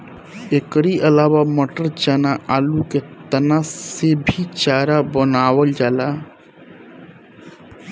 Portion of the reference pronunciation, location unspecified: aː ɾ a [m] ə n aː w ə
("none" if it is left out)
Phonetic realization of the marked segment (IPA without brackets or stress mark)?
b